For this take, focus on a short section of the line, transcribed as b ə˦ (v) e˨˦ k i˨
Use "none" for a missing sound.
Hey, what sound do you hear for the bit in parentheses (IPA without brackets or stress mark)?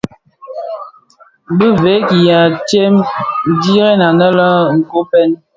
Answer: v